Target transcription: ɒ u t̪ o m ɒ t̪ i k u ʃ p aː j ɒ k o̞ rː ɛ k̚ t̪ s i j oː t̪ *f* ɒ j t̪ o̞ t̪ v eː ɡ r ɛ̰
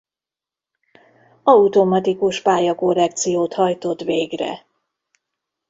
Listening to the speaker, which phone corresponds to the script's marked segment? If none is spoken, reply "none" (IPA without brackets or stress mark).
h